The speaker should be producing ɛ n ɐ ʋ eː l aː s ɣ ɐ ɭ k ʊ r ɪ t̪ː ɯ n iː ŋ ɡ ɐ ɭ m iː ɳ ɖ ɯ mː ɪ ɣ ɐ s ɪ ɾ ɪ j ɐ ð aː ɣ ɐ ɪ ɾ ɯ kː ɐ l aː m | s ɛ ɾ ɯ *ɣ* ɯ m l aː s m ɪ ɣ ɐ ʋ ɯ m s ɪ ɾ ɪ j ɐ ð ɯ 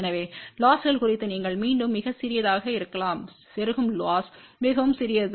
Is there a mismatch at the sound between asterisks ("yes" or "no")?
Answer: no